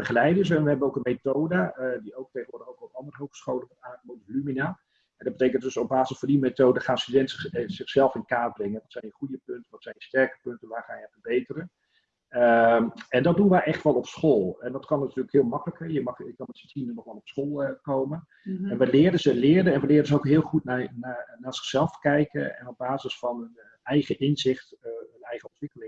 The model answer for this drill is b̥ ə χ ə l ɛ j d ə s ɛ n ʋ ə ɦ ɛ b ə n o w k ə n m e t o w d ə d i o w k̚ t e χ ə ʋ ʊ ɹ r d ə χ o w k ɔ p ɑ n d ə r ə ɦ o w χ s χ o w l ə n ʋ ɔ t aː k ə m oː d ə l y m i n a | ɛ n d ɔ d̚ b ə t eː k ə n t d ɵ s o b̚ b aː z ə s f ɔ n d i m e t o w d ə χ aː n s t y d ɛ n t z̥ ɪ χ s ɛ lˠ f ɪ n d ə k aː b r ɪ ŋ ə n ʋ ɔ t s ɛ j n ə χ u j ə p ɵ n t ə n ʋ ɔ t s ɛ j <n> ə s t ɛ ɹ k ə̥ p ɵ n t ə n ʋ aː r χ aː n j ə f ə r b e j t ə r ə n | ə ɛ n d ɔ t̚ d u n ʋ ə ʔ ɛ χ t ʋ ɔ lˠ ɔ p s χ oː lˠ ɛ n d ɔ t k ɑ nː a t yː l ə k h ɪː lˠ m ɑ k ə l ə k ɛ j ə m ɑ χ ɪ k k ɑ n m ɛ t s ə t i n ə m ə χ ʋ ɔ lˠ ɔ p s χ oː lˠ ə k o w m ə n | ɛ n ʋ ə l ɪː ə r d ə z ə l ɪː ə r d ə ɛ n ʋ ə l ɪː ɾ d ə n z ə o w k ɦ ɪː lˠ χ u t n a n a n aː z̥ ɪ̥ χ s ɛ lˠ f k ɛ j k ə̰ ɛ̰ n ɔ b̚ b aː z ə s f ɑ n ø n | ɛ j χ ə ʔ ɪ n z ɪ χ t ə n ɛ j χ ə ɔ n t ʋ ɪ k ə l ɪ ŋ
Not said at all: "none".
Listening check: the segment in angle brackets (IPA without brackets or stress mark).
n